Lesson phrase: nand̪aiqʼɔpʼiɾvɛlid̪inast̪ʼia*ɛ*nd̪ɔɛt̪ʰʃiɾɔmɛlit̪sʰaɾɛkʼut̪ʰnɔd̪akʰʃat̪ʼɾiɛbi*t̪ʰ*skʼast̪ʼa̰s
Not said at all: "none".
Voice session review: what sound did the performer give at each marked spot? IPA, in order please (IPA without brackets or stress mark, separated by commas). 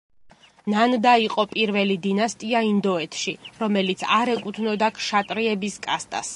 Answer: i, none